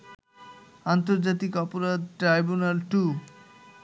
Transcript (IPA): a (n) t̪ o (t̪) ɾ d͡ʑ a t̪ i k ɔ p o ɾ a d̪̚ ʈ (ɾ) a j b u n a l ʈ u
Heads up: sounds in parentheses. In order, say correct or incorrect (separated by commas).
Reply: correct, incorrect, correct